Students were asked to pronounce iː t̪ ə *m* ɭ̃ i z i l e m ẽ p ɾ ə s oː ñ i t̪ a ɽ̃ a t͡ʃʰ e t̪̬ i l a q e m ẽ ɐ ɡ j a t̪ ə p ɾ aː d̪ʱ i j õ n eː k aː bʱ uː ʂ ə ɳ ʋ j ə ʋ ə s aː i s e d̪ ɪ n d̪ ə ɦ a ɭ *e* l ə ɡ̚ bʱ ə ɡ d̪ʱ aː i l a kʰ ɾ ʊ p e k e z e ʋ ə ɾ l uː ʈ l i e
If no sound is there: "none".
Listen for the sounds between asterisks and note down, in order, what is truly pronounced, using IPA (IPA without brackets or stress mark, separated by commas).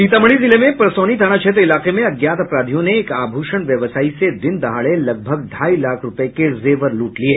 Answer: m, e